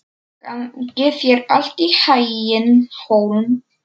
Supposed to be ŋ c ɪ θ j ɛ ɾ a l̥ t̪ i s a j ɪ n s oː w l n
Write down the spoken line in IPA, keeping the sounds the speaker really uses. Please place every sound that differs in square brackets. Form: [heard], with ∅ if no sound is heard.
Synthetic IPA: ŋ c ɪ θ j ɛ ɾ a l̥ t̪ i [h] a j ɪ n [h] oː w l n